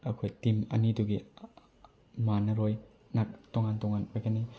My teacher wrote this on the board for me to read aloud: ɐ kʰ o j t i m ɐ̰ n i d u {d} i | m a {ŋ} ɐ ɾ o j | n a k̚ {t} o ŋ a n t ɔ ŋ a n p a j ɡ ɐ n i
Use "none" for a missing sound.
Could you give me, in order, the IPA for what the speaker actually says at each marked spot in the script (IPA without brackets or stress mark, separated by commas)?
ɡ, n, t